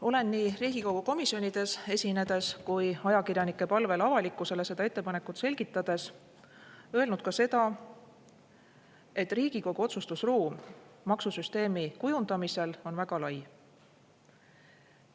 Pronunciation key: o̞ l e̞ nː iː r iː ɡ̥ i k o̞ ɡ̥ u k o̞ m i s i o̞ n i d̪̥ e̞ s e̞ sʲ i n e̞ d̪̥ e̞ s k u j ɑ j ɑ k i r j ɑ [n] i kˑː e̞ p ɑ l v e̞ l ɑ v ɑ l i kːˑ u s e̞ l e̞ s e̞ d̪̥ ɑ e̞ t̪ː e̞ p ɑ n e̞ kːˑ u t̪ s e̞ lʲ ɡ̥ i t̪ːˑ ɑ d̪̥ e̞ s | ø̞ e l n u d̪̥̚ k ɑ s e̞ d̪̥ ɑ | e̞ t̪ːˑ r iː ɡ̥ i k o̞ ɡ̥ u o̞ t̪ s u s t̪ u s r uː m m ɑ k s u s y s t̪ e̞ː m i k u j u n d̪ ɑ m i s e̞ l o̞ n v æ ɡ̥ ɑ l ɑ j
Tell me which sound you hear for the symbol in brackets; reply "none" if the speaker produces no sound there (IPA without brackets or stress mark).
n